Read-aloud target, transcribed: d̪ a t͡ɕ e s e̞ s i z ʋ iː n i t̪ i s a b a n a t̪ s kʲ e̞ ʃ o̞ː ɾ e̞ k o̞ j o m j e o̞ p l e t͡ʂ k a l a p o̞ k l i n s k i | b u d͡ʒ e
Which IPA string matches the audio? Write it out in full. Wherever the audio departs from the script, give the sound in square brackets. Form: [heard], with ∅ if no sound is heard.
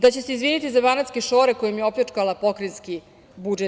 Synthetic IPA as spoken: d̪ a t͡ɕ e s e̞ [∅] i z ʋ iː n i t̪ i [z] a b a n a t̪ s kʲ e̞ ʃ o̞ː ɾ e̞ k o̞ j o m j e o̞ p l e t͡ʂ k a l a p o̞ k [ɾ] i n s k i | b u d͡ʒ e